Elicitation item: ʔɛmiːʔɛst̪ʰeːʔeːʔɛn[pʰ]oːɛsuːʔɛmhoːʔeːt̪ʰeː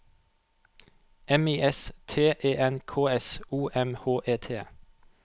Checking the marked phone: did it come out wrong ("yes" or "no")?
yes